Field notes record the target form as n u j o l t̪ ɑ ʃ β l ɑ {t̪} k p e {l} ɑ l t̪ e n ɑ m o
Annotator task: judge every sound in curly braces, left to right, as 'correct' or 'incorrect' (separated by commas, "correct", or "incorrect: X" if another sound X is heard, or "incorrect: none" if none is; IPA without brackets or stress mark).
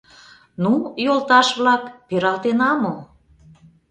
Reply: incorrect: none, incorrect: ɾ